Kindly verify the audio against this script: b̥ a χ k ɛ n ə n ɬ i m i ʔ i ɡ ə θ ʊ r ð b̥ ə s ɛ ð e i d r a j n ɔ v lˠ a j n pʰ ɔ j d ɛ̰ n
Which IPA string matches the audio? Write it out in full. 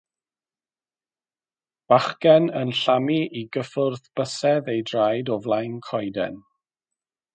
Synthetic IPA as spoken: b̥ a χ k ɛ n ə n ɬ a m i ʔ i ɡ ə f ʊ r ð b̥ ə s ɛ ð e j d r a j d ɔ v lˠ a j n kʰ ɔ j d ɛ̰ n

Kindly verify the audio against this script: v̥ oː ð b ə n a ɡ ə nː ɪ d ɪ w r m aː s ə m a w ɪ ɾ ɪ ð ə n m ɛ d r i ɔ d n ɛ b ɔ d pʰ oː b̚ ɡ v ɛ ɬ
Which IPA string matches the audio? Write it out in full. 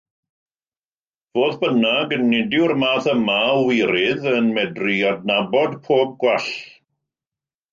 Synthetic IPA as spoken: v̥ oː ð b ə n a ɡ ə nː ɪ d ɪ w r m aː θ ə m a w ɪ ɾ ɪ ð ə n m ɛ d r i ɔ d n a b ɔ d pʰ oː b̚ ɡ w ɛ ɬ

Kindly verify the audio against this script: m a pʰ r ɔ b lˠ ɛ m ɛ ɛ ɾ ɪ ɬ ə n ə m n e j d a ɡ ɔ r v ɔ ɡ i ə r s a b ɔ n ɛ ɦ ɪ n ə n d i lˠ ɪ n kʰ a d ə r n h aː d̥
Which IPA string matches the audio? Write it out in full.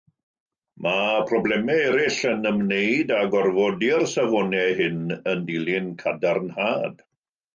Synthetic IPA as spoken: m a pʰ r ɔ b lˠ ɛ m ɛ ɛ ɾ ɪ ɬ ə n ə m n e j d a ɡ ɔ r v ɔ d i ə r s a v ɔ n ɛ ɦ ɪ n ə n d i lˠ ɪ n kʰ a d a r n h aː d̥

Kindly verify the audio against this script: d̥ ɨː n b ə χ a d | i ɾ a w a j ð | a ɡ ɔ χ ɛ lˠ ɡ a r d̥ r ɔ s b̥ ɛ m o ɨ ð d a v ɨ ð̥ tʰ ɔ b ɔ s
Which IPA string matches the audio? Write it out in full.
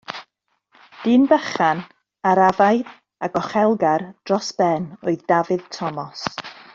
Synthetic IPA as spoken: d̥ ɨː n b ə χ a n | a ɾ a v a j ð | a ɡ ɔ χ ɛ lˠ ɡ a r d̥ r ɔ s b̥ ɛ n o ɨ ð d a v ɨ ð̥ tʰ ɔ m ɔ s

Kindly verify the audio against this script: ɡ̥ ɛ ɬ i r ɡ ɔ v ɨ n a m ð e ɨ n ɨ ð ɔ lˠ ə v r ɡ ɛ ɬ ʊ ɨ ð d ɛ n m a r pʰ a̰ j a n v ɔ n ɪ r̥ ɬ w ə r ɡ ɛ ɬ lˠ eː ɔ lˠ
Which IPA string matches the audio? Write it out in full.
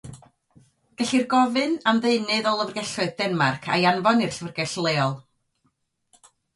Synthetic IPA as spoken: ɡ̥ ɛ ɬ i r ɡ ɔ v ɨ n a m ð e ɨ n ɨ ð ɔ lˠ ə v r ɡ ɛ ɬ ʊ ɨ ð d ɛ n m a r kʰ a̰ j a n v ɔ n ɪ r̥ ɬ v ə r ɡ ɛ ɬ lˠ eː ɔ lˠ

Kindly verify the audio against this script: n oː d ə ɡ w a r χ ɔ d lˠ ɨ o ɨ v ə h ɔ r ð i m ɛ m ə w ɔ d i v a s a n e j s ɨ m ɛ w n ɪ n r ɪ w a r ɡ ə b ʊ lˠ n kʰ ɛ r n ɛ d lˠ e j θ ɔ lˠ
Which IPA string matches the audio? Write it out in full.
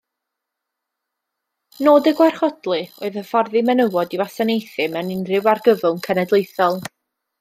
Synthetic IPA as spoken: n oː d ə ɡ w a r χ ɔ d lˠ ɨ o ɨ ð ə f ɔ r ð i m ɛ n ə w ɔ d i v a s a n e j θ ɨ m ɛ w n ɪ n r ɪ w a r ɡ ə v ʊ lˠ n kʰ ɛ n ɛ d lˠ e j θ ɔ lˠ

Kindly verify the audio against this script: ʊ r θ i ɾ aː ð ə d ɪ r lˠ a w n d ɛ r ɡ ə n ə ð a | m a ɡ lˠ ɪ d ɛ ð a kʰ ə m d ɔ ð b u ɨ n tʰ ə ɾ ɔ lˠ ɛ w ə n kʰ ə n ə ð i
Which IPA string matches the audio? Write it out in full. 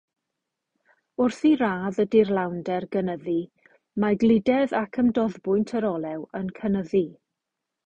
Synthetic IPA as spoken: ʊ r θ i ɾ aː ð ə d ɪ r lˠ a w n d ɛ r ɡ ə n ə ð i | m a ɡ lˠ ɪ d ɛ ð a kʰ ə m d ɔ ð b ʊ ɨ n tʰ ə ɾ ɔ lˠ ɛ w ə n kʰ ə n ə ð i

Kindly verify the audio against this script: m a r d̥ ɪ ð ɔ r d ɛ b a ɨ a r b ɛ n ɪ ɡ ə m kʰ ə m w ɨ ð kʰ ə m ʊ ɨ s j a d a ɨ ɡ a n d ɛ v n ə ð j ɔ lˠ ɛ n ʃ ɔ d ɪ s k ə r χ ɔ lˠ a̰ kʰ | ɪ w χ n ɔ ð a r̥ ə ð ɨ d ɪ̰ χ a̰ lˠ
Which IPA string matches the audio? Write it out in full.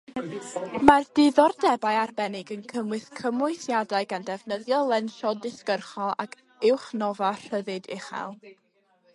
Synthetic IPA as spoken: m a r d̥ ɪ ð ɔ r d ɛ b a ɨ a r b ɛ n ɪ ɡ ə n kʰ ə m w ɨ θ kʰ ə m ʊ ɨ θ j a d a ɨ ɡ a n d ɛ v n ə ð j ɔ lˠ ɛ n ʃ ɔ d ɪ s k ə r χ ɔ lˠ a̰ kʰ | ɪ w χ n ɔ v a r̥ ə ð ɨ d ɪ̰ χ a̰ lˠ

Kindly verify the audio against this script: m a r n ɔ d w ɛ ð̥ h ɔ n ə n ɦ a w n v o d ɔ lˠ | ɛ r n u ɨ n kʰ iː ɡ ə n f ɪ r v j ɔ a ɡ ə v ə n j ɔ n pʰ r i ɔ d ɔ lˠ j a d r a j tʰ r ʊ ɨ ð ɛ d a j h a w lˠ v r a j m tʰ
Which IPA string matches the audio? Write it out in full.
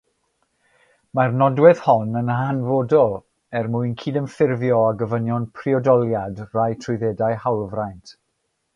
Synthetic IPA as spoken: m a r n ɔ d w ɛ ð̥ h ɔ n ə n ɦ a n v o d ɔ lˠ | ɛ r m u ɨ n kʰ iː d ə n f ɪ r v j ɔ a ɡ ə v ə n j ɔ n pʰ r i ɔ d ɔ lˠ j a d r a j tʰ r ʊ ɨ ð ɛ d a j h a w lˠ v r a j n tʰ

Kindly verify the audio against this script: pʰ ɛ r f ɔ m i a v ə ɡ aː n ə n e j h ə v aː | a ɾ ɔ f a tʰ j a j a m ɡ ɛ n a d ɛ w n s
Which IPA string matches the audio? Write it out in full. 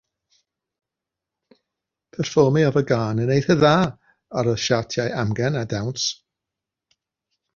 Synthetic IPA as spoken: pʰ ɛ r f ɔ m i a v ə ɡ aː n ə n e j θ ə ð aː | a ɾ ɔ ʃ a tʰ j a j a m ɡ ɛ n a d a w n s

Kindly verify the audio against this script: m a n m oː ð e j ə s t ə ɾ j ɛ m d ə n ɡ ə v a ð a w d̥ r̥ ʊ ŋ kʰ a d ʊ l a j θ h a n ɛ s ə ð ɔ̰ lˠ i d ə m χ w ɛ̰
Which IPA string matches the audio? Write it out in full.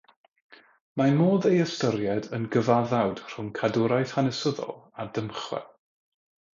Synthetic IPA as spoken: m a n m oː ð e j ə s t ə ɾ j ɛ d ə n ɡ ə v a ð a w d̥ r̥ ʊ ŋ kʰ a d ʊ ɾ a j θ h a n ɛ s ə ð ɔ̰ lˠ a d ə m χ w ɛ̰

